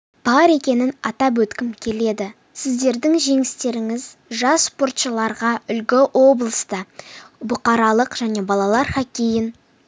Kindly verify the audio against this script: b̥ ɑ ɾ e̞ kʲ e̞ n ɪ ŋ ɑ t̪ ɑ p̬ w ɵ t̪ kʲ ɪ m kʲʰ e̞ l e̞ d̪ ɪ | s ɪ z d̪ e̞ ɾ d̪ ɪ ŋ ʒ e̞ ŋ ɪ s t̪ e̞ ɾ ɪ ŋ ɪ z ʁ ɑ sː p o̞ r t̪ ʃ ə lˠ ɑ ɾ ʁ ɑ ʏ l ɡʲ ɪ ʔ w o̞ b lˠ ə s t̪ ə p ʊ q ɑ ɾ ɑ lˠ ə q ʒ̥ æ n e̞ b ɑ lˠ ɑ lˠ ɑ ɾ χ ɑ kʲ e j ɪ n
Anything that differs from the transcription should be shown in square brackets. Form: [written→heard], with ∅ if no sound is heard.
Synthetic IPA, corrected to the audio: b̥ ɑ ɾ e̞ kʲ e̞ n ɪ [ŋ→n] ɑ t̪ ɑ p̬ w ɵ t̪ kʲ ɪ m kʲʰ e̞ l e̞ d̪ ɪ | s ɪ z d̪ e̞ ɾ d̪ ɪ ŋ ʒ e̞ ŋ ɪ s t̪ e̞ ɾ ɪ ŋ ɪ z [ʁ→ʒ] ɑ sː p o̞ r t̪ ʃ ə lˠ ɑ ɾ ʁ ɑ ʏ l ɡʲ ɪ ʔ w o̞ b lˠ ə s t̪ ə [p→b] ʊ q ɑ ɾ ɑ lˠ ə q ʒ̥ æ n e̞ b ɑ lˠ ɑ lˠ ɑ ɾ χ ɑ kʲ e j ɪ n